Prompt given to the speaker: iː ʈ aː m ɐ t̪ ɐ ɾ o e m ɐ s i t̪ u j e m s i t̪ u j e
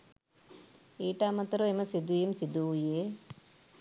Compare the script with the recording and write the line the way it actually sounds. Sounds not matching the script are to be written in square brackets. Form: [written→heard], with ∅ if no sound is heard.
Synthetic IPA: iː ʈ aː m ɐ t̪ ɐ ɾ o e m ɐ s i [t̪→d̪] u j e m s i [t̪→d̪] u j e